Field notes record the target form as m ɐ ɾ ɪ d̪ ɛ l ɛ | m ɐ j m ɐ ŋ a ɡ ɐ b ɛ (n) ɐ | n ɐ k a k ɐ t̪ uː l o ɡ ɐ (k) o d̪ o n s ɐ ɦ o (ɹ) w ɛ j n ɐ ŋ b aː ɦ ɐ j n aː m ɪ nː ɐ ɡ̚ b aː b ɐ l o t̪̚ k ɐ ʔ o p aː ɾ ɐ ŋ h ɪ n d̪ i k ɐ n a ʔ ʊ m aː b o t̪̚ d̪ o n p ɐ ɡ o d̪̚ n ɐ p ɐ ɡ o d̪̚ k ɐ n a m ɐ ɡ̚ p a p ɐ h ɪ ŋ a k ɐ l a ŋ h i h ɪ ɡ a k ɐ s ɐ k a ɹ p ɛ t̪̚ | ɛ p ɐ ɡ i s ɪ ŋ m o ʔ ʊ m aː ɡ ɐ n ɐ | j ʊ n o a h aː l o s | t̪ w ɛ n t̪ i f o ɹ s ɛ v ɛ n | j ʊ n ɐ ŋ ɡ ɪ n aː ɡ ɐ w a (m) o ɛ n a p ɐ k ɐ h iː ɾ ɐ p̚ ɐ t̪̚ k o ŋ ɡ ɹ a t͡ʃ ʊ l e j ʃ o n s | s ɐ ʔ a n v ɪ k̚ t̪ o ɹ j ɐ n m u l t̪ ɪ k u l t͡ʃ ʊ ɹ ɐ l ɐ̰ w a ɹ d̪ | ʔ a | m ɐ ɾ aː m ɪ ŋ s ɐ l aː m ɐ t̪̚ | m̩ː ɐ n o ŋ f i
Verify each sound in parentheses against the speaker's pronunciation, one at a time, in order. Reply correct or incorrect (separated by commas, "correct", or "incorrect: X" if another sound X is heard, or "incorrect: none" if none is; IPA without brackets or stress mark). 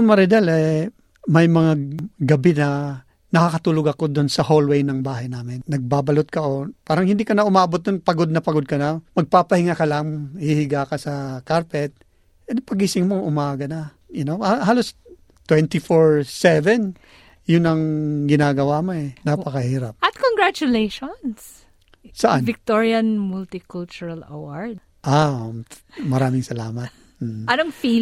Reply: correct, correct, incorrect: l, correct